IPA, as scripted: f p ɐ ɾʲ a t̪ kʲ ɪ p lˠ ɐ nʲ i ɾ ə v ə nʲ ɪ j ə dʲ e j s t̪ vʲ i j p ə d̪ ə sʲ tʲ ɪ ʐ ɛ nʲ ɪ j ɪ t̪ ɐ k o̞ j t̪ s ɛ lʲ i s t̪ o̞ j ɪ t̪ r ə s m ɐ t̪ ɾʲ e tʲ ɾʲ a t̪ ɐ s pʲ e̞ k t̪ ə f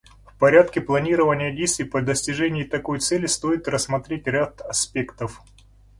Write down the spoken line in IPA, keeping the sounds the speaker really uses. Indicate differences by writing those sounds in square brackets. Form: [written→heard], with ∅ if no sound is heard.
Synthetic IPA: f p ɐ ɾʲ a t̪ kʲ ɪ p lˠ ɐ nʲ i ɾ ə v ə nʲ ɪ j ə dʲ e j s t̪ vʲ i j p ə d̪ ə sʲ tʲ ɪ ʐ ɛ nʲ ɪ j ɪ t̪ ɐ k o̞ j t̪ s ɛ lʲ [i→ɪ] s t̪ o̞ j ɪ t̪ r ə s m ɐ t̪ ɾʲ e tʲ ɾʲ a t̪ ɐ s pʲ e̞ k t̪ ə f